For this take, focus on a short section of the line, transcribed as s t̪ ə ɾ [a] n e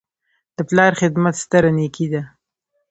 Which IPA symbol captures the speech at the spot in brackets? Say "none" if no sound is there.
a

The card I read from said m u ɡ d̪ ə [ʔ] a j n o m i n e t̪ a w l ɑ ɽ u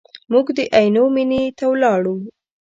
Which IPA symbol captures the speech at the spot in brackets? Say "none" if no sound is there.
ʔ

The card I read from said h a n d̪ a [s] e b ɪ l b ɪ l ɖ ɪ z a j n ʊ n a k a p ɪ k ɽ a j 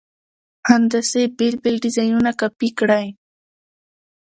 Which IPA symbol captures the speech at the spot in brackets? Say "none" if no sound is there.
s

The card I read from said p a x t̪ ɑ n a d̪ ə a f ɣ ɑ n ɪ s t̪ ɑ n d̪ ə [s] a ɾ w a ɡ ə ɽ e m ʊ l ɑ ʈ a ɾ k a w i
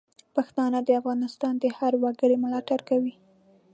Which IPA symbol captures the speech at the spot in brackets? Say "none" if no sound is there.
h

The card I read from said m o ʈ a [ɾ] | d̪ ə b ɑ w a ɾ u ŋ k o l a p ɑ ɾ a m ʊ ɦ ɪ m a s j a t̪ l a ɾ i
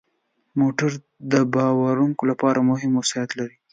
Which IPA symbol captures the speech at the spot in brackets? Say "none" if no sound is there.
ɾ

